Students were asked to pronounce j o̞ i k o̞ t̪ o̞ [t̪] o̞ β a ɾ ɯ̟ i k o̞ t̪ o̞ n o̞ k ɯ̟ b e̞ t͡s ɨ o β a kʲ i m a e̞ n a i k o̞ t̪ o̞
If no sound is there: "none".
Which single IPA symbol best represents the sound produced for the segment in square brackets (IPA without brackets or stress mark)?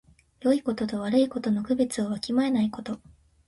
t̪